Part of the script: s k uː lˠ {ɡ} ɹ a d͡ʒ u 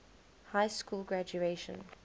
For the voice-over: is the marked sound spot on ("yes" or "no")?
yes